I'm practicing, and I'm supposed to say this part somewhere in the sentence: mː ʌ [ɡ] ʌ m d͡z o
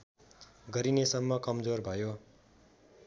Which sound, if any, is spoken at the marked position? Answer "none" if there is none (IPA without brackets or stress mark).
k